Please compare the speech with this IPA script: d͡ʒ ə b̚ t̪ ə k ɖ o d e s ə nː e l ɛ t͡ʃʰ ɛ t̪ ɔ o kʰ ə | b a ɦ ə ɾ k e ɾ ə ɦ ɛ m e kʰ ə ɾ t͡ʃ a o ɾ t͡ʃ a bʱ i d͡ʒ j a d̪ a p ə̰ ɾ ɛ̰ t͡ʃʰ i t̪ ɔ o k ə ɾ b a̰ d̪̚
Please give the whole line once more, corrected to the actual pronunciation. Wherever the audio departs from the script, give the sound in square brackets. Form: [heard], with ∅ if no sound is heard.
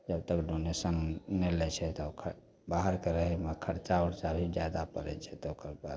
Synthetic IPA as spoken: d͡ʒ ə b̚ t̪ ə k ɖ o [n] e s ə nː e l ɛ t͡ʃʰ ɛ t̪ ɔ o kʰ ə | b a ɦ ə ɾ k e ɾ ə ɦ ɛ m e kʰ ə ɾ t͡ʃ a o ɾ t͡ʃ a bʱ i d͡ʒ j a d̪ a p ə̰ ɾ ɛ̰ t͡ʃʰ [ɛ] t̪ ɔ o k ə ɾ b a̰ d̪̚